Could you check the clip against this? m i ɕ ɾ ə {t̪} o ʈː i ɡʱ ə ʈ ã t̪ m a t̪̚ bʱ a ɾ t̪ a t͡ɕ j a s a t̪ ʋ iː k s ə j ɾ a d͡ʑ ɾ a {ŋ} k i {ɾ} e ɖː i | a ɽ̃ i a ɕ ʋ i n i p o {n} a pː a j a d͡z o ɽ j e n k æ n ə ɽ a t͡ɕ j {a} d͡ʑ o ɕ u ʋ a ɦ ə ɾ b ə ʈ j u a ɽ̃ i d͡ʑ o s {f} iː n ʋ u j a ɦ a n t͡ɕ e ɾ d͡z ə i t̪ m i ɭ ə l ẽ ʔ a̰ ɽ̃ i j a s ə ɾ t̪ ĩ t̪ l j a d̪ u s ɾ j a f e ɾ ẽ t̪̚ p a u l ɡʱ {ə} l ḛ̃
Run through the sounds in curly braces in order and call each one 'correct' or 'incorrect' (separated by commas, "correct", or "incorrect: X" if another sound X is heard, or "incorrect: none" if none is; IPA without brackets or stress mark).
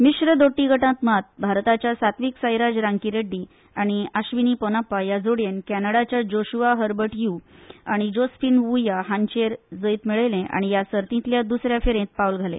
incorrect: d̪, correct, correct, correct, correct, correct, incorrect: a